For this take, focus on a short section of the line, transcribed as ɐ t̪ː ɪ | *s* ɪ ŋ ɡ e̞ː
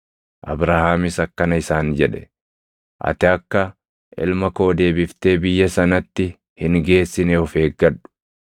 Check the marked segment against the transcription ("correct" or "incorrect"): incorrect